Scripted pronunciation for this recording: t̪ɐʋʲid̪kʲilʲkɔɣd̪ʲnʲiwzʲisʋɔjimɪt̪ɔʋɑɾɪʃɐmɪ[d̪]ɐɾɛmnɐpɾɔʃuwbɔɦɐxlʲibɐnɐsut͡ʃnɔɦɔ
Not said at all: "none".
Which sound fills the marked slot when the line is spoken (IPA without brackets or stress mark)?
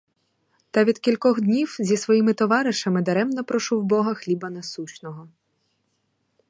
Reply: d̪